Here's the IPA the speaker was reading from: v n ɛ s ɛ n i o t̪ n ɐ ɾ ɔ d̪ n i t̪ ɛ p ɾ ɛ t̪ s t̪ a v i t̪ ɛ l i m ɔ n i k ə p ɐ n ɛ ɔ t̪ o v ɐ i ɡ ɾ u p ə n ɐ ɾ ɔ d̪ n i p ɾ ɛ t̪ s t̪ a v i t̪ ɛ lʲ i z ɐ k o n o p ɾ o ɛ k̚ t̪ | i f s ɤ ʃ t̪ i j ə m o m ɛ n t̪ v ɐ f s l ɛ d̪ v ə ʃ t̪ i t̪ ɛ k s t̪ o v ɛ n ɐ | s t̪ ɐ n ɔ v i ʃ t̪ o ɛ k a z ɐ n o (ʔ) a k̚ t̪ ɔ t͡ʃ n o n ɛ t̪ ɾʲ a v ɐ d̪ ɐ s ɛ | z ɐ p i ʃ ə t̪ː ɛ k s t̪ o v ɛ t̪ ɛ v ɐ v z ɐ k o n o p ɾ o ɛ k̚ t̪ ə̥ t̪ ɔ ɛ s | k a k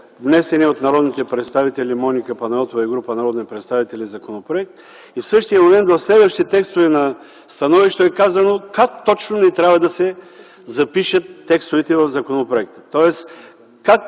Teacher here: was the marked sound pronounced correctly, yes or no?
no